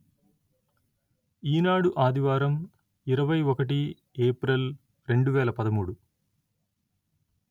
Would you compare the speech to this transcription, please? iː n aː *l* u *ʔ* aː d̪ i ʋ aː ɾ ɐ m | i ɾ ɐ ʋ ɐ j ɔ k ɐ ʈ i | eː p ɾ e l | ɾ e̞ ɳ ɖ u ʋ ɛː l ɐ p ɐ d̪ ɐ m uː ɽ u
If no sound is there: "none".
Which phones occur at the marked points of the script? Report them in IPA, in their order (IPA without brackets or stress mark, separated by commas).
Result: ɽ, ʔ